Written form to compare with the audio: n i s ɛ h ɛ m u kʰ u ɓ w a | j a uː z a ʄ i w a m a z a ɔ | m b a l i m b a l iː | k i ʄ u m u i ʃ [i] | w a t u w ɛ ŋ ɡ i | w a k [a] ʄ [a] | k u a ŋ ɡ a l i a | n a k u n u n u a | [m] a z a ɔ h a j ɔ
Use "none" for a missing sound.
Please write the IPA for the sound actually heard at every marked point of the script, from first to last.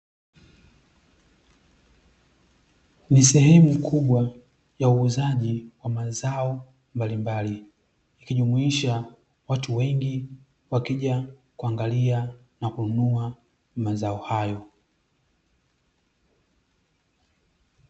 a, i, a, m

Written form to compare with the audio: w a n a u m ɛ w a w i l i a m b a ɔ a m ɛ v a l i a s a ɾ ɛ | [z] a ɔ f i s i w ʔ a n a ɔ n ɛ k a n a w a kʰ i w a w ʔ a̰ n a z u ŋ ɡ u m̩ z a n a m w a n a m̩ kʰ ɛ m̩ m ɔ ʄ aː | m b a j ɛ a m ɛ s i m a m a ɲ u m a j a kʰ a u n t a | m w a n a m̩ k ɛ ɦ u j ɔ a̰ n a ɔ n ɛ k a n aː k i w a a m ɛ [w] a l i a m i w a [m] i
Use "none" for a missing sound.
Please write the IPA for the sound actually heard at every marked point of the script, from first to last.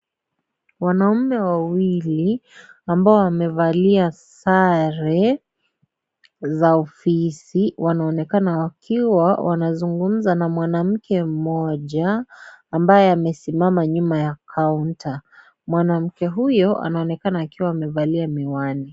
z, v, n

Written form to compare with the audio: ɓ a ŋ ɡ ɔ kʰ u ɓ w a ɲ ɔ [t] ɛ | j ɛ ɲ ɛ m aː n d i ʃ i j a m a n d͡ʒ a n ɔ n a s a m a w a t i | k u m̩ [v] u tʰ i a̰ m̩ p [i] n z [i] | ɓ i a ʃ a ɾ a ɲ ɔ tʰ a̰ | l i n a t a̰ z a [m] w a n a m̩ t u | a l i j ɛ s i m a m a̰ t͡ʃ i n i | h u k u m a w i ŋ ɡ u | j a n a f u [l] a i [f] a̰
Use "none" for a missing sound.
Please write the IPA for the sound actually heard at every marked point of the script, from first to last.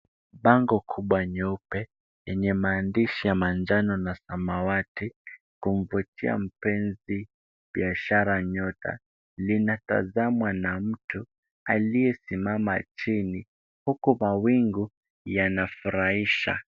p, v, ɛ, i, m, ɾ, ʃ

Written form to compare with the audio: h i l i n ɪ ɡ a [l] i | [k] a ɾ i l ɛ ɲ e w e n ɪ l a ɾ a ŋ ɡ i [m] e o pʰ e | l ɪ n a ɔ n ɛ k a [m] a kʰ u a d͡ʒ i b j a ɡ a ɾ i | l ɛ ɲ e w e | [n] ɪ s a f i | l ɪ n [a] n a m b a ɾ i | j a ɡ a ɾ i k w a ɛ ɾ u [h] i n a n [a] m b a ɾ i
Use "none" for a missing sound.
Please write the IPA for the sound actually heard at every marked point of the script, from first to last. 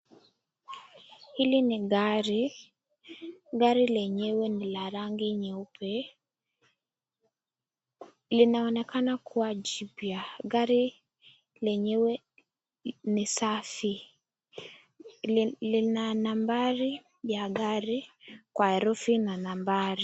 ɾ, ɡ, ɲ, n, n, a, f, a

